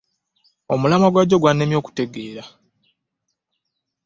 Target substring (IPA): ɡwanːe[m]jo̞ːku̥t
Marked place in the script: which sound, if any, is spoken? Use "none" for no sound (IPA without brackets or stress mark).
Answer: m